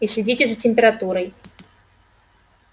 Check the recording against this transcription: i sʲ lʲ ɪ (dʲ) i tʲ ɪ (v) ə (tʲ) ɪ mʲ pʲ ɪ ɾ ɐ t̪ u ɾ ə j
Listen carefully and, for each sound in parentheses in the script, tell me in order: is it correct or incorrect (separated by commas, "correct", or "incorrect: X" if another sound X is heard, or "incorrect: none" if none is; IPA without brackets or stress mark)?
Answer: correct, incorrect: z, correct